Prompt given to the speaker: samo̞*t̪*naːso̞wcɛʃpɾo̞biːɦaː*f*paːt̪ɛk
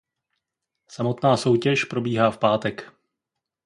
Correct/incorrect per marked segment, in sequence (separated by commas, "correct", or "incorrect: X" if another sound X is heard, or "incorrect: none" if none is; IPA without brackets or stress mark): correct, correct